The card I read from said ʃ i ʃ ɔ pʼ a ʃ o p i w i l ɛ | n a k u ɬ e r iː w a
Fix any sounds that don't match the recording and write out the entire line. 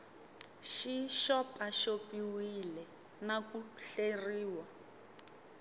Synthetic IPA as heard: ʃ i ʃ ɔ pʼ a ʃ o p i w i l ɛ | n a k u ɬ e r iː w a